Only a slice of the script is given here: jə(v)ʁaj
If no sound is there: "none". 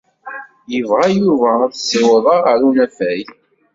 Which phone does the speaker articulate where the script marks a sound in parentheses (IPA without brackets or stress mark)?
v